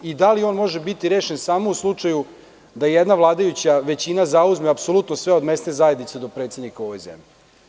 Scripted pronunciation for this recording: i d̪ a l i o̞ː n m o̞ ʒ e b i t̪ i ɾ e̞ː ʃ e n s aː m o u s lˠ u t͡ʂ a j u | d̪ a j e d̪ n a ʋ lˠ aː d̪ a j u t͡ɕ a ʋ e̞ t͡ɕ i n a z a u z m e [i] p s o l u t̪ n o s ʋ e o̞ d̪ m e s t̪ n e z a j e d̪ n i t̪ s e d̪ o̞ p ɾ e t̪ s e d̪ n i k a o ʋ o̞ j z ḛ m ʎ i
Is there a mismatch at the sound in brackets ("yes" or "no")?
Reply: yes